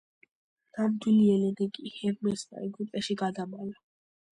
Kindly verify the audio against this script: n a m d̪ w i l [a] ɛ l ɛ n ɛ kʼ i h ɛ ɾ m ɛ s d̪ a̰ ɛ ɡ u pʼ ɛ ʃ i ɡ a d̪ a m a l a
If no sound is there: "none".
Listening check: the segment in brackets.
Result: i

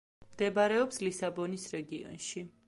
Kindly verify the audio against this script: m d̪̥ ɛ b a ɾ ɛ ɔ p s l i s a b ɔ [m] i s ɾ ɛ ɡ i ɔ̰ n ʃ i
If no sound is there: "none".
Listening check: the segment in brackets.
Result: n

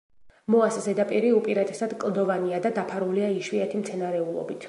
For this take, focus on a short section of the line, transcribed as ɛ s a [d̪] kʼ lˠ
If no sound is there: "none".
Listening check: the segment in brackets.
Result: d̪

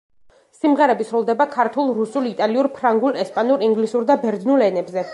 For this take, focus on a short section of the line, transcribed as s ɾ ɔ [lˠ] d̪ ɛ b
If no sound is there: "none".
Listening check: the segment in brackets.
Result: lˠ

